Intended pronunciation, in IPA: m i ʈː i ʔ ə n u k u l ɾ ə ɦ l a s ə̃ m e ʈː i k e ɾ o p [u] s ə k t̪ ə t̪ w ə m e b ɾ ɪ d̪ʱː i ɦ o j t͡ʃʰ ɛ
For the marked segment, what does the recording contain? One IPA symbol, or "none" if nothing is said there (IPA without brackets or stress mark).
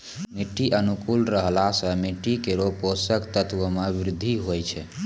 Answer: o